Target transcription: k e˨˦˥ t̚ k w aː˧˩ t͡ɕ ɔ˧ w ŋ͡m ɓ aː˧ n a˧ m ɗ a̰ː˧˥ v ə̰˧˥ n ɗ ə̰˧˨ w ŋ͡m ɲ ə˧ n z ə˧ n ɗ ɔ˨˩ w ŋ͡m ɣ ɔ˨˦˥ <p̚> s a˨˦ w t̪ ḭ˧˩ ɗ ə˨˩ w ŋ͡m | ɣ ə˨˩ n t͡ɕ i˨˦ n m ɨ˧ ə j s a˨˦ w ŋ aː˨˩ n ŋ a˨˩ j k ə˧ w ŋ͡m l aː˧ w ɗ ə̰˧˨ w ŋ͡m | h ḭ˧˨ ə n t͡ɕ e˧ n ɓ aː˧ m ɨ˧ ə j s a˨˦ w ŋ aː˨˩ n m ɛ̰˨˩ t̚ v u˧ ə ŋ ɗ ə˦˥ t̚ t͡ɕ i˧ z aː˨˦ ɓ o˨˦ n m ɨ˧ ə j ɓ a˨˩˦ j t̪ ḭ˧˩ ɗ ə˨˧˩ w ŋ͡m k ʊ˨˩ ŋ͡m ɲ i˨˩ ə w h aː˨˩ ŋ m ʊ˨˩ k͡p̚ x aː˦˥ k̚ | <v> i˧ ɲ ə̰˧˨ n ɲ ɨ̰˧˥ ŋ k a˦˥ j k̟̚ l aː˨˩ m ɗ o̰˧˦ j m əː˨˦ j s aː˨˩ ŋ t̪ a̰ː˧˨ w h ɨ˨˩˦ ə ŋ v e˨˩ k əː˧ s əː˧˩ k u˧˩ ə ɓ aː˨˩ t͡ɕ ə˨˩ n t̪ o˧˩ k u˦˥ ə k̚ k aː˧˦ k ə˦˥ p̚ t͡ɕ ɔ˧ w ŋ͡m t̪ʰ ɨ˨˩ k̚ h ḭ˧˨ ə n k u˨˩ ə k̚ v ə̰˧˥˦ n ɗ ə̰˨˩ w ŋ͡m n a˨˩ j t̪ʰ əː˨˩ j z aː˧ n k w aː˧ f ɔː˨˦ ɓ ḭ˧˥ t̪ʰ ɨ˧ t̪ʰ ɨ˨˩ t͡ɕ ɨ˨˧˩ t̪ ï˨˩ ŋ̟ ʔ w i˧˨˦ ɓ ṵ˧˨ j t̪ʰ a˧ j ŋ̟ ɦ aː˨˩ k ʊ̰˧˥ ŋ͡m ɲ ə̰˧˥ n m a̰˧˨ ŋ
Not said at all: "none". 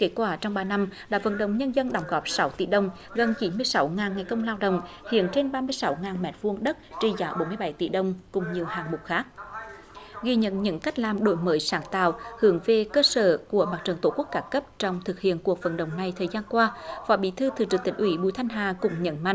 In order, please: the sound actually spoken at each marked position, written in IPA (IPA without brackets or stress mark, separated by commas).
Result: p̚, ɣ